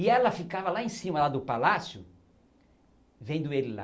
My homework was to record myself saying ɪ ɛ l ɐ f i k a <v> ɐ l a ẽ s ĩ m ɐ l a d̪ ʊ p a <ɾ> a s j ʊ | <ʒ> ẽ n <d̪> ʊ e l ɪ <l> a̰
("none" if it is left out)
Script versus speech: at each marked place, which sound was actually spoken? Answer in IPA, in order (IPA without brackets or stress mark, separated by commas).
v, l, v, d̪, l